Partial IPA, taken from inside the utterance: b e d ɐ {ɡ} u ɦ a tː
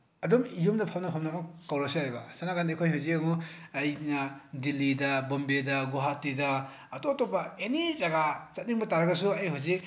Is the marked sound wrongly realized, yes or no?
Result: no